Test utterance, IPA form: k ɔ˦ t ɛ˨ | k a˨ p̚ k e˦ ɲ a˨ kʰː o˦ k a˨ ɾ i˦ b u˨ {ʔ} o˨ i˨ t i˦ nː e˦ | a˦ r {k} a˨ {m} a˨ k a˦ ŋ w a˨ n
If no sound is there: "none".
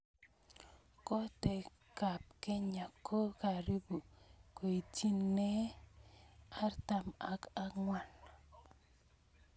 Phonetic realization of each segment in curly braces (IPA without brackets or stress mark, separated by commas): k, t, m